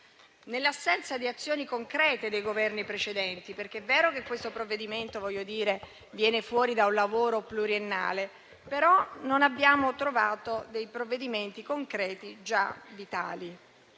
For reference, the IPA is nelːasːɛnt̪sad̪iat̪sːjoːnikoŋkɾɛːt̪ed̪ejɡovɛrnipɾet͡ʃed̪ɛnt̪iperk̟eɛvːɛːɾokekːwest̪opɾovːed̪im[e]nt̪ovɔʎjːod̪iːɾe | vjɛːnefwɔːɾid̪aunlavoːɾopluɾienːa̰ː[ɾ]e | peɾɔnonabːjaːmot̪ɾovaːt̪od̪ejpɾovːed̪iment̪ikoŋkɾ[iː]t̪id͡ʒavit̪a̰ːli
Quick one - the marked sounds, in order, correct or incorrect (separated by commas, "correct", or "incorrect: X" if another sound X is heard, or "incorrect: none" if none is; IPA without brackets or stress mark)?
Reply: correct, incorrect: l, incorrect: ɛː